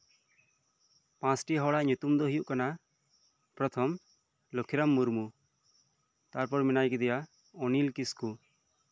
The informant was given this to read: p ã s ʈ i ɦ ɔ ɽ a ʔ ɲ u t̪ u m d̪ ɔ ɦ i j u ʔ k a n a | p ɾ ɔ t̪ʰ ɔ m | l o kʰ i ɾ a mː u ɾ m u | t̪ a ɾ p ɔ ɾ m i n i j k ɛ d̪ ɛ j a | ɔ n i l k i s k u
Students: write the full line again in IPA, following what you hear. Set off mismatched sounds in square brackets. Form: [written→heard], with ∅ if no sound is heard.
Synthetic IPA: p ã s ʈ i ɦ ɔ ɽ a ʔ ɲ u t̪ u m d̪ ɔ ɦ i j u ʔ k a n a | p ɾ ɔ t̪ʰ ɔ m | l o kʰ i ɾ a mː u ɾ m u | t̪ a ɾ p ɔ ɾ m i n [i→a] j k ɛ d̪ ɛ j a | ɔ n i l k i s k u